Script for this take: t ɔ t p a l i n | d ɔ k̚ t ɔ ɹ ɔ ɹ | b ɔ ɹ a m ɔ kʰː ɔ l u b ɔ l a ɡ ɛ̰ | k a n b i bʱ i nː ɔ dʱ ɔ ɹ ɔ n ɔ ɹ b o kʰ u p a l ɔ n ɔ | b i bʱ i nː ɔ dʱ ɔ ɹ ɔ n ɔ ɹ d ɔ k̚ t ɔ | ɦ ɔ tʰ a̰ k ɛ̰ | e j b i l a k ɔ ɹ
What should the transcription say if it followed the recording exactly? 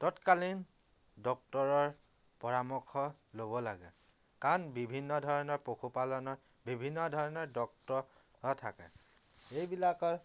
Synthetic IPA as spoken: t ɔ t k a l i n | d ɔ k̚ t ɔ ɹ ɔ ɹ | p ɔ ɹ a m ɔ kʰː ɔ l o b ɔ l a ɡ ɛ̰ | k a n b i bʱ i nː ɔ dʱ ɔ ɹ ɔ n ɔ ɹ p o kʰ u p a l ɔ n ɔ | b i bʱ i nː ɔ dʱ ɔ ɹ ɔ n ɔ ɹ d ɔ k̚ t ɔ | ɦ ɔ tʰ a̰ k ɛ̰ | e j b i l a k ɔ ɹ